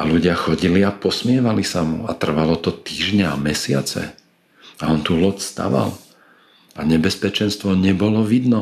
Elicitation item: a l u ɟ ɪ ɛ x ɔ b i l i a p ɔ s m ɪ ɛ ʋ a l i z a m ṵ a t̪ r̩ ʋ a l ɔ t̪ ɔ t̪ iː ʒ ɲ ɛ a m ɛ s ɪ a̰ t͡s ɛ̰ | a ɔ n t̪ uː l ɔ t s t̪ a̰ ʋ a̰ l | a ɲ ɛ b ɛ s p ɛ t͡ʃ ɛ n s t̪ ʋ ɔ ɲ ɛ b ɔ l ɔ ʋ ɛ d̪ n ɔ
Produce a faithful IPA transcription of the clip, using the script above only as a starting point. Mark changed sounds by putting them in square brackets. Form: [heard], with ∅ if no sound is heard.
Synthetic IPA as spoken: a l u ɟ ɪ [a] x ɔ [ɟ] i l i a p ɔ s m ɪ ɛ ʋ a l i [s] a m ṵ a t̪ r̩ ʋ a l ɔ t̪ ɔ t̪ iː ʒ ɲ ɛ a m ɛ s ɪ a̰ t͡s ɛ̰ | a ɔ n t̪ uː l ɔ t s t̪ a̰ ʋ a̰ l | a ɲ ɛ b ɛ s p ɛ t͡ʃ ɛ n s t̪ ʋ ɔ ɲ ɛ b ɔ l ɔ ʋ [i] d̪ n ɔ